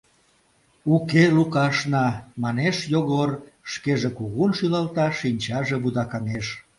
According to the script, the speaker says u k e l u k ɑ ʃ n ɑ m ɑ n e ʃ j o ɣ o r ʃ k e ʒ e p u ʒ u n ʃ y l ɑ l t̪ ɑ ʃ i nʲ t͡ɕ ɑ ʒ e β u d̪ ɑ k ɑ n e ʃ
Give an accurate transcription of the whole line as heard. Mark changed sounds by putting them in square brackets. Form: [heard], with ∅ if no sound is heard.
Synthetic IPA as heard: u k e l u k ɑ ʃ n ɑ m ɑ n e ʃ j o ɣ o r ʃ k e ʒ e [k] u [ɣ] u n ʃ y l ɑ l t̪ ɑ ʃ i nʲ t͡ɕ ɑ ʒ e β u d̪ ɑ k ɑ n e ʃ